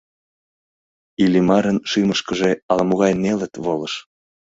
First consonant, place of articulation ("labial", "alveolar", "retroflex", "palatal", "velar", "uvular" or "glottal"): alveolar